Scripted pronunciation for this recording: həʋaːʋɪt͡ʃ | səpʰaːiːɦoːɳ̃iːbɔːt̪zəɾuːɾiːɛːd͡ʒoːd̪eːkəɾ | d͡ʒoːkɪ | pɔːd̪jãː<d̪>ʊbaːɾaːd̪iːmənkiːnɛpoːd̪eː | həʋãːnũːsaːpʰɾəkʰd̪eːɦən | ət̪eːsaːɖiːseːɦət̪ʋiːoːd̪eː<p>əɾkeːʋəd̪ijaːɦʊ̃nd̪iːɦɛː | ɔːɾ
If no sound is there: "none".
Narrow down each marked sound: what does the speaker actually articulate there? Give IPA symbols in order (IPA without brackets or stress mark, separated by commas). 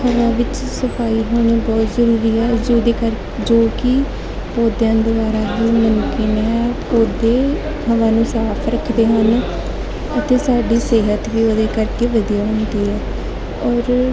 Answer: d̪, k